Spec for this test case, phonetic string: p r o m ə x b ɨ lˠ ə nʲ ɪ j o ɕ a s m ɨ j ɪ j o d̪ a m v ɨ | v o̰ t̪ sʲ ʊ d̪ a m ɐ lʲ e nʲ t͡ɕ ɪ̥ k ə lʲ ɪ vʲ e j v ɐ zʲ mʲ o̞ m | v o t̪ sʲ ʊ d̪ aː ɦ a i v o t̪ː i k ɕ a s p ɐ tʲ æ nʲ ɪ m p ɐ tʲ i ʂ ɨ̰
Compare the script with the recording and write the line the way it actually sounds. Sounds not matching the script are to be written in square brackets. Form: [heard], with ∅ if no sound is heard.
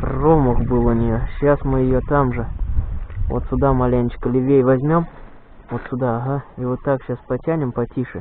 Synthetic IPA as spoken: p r o m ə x b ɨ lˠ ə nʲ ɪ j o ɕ a s m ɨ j ɪ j o [t̪] a m [ʐ] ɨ | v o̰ t̪ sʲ ʊ d̪ a m ɐ lʲ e nʲ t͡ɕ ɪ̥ k ə lʲ ɪ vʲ e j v ɐ zʲ mʲ o̞ m | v o t̪ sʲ ʊ d̪ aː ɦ a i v o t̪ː [a] k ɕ a s p ɐ tʲ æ nʲ ɪ m p ɐ tʲ i ʂ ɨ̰